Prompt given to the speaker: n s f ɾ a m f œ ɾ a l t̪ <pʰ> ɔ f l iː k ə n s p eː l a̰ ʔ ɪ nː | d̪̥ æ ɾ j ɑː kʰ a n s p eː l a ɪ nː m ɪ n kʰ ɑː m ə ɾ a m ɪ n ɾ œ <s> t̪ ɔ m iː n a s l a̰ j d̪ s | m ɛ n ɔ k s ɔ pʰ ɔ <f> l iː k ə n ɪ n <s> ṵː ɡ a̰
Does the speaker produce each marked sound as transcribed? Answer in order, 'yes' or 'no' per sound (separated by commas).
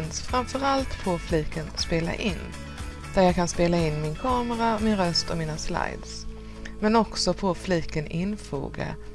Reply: yes, yes, yes, no